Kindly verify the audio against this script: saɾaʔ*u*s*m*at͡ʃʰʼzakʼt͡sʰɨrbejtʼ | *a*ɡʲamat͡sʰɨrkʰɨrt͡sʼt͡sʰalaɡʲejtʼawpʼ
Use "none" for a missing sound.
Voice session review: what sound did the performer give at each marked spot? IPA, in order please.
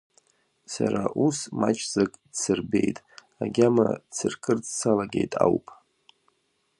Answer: u, m, a

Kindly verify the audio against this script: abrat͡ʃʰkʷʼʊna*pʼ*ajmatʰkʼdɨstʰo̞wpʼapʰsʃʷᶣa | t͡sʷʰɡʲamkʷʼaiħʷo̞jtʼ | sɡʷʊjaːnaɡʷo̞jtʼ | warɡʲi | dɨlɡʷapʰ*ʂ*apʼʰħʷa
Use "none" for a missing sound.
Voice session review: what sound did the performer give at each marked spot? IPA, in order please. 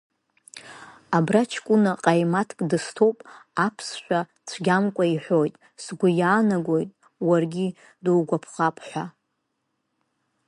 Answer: qʼ, χ

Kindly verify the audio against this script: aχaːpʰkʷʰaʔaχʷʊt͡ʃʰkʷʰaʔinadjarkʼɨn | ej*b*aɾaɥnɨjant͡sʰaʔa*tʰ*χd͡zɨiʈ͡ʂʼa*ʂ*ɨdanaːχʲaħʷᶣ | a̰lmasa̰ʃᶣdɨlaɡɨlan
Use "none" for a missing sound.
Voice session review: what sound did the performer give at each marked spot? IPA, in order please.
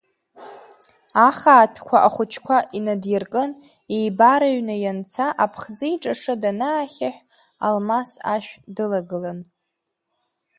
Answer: b, pʰ, ʂ

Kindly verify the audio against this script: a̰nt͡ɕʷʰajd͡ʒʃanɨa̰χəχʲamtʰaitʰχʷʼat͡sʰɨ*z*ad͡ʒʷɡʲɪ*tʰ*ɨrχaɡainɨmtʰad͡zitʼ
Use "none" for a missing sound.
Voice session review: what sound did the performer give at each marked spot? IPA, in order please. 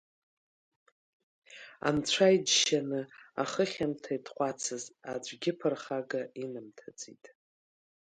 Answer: z, pʰ

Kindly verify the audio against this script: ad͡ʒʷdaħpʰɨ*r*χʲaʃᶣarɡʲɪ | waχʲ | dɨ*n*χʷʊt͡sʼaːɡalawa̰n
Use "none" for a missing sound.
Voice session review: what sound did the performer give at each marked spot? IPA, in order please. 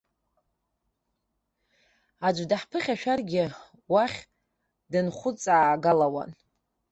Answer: none, n

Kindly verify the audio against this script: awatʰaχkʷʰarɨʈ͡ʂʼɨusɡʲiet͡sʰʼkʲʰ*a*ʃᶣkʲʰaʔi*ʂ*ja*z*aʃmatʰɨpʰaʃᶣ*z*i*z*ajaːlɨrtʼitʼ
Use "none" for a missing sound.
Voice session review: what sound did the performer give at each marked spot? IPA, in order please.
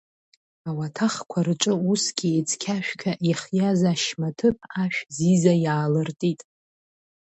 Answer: a, χ, z, z, z

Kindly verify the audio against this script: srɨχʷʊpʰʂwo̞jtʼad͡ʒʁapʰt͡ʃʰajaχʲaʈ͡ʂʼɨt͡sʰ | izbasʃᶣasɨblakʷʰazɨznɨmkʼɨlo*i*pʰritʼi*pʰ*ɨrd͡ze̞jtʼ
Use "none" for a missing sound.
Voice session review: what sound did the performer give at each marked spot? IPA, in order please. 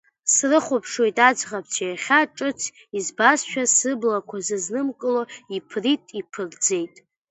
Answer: i, pʰ

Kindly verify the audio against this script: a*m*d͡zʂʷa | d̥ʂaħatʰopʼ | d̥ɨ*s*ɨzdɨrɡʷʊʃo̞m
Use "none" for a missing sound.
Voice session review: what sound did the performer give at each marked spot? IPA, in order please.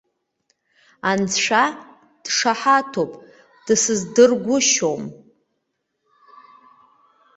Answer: n, s

